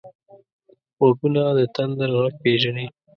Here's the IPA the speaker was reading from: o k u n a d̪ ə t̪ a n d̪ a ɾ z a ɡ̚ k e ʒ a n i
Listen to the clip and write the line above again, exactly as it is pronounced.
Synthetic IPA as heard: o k u n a d̪ ə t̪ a n d̪ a ɾ ɣ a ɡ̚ p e ʒ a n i

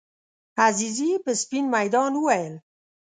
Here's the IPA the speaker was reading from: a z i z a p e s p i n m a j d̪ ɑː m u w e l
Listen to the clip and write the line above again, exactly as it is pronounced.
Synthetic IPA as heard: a z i z i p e s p i n m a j d̪ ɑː n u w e l

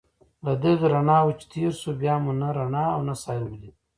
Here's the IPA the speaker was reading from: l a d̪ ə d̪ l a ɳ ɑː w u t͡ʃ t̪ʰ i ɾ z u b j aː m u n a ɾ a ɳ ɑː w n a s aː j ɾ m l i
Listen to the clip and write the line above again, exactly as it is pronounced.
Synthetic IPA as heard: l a d̪ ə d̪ ɾ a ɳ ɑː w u t͡ʃ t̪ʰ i ɾ s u b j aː m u n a ɾ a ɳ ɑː w n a s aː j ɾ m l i

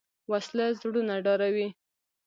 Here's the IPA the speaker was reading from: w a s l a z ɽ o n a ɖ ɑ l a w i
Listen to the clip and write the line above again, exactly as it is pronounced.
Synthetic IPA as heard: w a s l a z ɽ u n a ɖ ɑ ɾ a w i

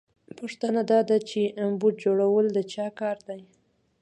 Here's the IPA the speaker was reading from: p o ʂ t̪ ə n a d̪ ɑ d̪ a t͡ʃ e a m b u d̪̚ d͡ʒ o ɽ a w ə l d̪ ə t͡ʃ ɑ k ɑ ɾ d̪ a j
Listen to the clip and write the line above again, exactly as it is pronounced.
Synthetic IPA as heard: p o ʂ t̪ ə n a d̪ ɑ d̪ a t͡ʃ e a m b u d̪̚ d͡ʒ o ɽ a w ə l d̪ ə t͡ʃ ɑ k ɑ ɾ d̪ a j

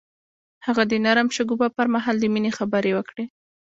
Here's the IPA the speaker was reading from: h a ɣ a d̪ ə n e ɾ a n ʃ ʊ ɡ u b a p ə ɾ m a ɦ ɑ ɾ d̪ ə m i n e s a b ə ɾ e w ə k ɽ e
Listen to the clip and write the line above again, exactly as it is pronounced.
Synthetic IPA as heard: h a ɣ a d̪ ə n a ɾ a m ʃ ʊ ɡ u b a p ə ɾ m a ɦ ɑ l d̪ ə m i n e x a b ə ɾ e w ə k ɽ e

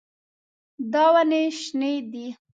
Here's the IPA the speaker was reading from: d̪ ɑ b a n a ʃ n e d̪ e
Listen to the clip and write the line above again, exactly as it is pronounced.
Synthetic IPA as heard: d̪ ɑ w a n e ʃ n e d̪ i

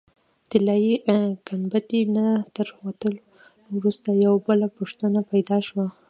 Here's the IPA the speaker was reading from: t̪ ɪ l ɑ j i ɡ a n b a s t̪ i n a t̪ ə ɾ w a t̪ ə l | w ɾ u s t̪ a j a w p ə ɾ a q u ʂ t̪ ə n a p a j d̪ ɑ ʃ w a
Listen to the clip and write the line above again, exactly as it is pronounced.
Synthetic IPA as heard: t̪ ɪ l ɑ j i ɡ a n b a t̪ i n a t̪ ə ɾ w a t̪ ə l | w ɾ u s t̪ a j a w b ə l a p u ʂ t̪ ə n a p a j d̪ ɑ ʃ w a

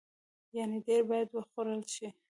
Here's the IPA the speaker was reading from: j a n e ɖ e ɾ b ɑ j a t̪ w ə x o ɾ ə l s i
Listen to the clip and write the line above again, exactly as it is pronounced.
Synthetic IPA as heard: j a n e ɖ e ɾ b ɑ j a d̪ w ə x o ɾ ə l ʃ i

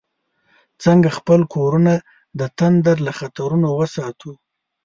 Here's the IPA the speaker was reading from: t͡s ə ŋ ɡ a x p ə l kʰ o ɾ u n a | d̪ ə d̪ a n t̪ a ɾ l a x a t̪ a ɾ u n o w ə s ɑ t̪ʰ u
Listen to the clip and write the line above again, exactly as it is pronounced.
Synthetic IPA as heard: t͡s ə ŋ ɡ a x p ə l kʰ o ɾ u n a | d̪ ə t̪ a n d̪ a ɾ l a x a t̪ a ɾ u n o w ə s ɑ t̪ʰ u

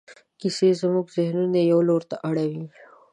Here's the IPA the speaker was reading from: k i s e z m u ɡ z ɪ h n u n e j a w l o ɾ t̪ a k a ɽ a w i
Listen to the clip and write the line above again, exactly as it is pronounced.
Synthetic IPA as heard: k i s e z m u ɡ z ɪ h n u n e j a w l o ɾ t̪ a ʔ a ɽ a w i

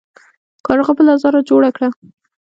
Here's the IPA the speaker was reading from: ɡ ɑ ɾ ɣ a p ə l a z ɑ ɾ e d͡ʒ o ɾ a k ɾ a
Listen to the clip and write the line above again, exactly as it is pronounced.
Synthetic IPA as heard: k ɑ ɾ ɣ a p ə l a z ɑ ɾ a d͡ʒ o ɽ a k ɽ a

